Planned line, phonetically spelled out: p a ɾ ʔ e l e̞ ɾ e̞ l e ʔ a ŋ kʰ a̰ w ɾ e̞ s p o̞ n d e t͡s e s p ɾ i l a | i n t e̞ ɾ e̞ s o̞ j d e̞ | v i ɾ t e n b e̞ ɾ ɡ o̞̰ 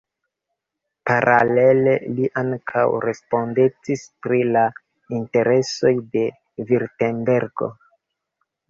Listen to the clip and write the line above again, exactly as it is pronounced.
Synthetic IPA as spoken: p a ɾ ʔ a l e̞ l e̞ l i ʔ a ŋ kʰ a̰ w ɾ e̞ s p o̞ n d e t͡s i s p ɾ i l a | i n t e̞ ɾ e̞ s o̞ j d e̞ | v i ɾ t e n b e̞ ɾ ɡ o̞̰